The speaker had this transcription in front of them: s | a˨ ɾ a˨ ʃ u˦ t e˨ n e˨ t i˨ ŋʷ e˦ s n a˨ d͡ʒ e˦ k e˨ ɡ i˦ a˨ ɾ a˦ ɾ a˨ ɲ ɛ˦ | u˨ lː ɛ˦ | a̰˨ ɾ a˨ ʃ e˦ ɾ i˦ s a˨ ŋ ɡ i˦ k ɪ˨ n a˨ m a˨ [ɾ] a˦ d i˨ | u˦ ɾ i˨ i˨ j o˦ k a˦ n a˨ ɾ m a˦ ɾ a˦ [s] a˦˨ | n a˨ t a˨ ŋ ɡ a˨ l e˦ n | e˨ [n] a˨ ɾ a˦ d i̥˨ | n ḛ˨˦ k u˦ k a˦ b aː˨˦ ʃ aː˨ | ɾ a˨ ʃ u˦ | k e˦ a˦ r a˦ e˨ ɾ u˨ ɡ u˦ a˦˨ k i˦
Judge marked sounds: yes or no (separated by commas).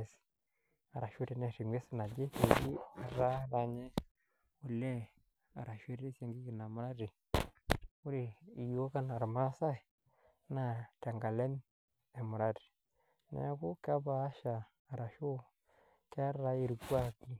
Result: yes, yes, no